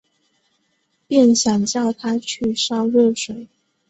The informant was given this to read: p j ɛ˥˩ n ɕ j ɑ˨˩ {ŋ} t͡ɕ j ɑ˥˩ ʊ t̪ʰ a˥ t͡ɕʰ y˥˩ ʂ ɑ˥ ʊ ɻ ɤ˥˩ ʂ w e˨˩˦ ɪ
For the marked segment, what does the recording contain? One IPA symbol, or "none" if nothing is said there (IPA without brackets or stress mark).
ŋ